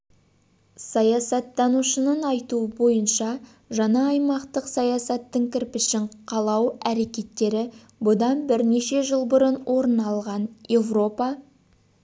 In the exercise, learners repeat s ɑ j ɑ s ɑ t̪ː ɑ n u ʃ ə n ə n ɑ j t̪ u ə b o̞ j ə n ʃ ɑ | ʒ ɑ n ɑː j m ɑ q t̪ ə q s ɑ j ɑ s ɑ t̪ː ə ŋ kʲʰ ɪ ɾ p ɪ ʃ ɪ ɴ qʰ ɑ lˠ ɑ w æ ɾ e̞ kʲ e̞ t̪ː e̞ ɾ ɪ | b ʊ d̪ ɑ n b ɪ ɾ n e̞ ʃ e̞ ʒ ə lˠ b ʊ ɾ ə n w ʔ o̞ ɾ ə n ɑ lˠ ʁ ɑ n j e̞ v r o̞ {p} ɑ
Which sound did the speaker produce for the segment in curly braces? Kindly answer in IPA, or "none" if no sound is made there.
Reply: p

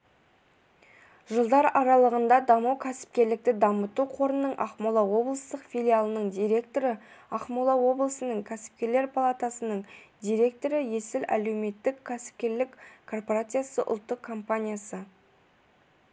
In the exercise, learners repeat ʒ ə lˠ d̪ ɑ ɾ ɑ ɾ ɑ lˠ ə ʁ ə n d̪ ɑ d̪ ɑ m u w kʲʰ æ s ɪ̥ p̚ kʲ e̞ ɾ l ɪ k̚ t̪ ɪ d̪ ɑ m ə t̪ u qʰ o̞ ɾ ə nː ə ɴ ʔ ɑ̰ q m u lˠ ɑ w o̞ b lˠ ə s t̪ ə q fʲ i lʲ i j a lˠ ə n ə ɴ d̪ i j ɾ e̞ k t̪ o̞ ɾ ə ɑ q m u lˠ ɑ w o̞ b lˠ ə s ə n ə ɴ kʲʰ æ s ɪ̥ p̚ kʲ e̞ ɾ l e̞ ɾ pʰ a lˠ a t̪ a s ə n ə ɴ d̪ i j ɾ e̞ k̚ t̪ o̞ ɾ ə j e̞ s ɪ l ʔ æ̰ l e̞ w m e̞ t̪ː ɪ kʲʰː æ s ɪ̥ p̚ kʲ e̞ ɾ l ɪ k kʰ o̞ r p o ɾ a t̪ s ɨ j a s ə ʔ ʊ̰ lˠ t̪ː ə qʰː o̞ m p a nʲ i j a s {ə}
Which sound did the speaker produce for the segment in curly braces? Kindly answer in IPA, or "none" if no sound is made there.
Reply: ə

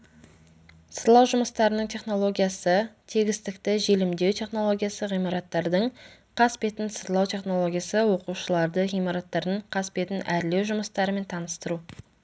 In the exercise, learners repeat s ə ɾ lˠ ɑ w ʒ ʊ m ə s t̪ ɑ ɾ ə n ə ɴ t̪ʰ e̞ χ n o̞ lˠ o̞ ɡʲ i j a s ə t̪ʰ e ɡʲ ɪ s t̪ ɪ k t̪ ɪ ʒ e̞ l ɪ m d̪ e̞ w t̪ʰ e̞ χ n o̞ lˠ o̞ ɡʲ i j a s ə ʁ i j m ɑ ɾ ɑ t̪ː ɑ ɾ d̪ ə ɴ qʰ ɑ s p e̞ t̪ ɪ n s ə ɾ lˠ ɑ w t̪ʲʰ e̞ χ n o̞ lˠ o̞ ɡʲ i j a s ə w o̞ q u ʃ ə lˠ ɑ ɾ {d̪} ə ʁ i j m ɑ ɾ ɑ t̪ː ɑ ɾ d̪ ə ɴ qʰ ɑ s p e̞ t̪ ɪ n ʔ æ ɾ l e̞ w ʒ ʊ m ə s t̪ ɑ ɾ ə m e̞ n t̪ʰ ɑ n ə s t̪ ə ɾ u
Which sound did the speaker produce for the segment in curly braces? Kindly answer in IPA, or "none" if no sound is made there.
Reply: d̪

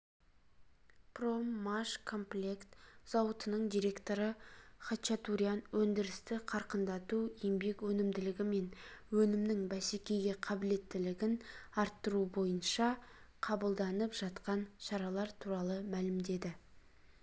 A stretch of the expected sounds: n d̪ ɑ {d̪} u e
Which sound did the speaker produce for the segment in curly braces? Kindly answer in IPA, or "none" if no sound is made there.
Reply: t̪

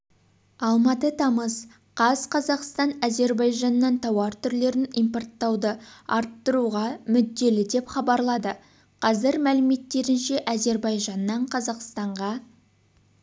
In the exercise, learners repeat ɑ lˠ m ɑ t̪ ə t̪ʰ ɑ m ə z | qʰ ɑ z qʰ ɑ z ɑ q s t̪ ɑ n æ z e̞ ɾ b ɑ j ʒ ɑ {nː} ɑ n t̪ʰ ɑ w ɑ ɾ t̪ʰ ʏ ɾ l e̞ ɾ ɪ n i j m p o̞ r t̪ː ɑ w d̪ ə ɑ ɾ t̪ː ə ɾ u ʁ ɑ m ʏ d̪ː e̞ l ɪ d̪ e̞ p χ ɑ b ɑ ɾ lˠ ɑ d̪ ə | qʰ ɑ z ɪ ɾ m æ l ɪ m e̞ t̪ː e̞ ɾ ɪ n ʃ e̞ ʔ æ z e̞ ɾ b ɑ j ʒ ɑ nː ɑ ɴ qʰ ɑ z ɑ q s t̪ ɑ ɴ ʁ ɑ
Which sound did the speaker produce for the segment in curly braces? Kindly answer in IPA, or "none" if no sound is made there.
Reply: nː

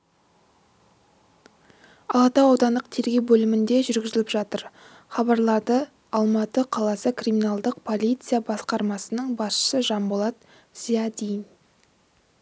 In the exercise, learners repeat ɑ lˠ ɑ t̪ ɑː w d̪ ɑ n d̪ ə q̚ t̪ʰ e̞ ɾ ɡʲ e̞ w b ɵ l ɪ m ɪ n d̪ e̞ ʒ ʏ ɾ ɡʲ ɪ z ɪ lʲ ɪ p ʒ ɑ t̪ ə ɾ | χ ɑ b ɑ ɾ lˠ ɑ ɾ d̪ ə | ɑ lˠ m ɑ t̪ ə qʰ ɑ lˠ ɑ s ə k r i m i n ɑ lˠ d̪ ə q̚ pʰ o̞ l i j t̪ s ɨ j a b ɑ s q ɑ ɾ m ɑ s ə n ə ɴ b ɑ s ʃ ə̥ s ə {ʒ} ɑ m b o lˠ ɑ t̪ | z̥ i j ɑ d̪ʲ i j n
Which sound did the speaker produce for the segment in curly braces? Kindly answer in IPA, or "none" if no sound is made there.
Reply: ʒ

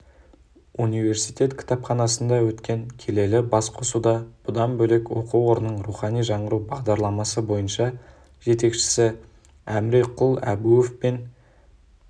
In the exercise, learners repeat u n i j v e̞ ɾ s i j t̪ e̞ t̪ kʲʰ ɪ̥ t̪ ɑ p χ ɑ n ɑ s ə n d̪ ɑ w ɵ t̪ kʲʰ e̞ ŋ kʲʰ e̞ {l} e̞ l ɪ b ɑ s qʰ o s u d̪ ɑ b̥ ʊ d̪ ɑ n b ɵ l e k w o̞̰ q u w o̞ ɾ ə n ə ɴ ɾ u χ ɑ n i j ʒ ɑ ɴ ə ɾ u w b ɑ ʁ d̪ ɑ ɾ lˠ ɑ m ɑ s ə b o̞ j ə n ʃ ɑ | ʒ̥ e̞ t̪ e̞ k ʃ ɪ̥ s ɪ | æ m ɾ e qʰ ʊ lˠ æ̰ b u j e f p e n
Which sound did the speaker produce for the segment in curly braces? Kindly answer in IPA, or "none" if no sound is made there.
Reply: l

